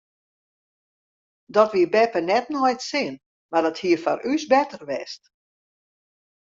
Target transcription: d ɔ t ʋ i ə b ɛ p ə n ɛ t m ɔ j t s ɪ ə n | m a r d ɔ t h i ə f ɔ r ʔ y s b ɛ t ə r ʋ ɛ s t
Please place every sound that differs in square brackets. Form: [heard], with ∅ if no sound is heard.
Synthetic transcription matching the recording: d ɔ t ʋ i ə b ɛ p ə n ɛ t [n] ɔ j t s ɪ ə n | m a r d ɔ t h i ə f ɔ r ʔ y s b ɛ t ə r ʋ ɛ s t